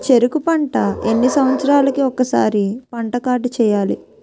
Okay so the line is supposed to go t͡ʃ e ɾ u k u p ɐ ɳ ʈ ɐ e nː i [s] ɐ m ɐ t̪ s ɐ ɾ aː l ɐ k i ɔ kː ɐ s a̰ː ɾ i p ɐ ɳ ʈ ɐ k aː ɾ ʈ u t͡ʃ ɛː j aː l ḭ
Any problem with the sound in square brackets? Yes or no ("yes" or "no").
no